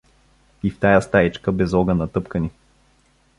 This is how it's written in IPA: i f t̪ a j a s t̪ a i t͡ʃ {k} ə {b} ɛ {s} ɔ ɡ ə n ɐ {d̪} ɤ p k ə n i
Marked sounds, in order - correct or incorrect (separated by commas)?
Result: correct, correct, incorrect, incorrect